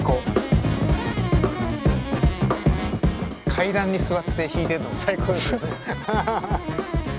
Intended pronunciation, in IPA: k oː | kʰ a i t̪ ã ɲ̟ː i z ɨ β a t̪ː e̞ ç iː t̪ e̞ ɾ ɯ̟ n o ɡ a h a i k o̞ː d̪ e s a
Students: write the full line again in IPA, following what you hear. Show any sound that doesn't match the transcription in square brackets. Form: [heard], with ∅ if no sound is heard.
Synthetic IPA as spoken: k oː | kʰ a i [d̪] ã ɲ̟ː i [s] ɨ β a t̪ː e̞ ç iː t̪ e̞ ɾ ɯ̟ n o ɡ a [s] a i k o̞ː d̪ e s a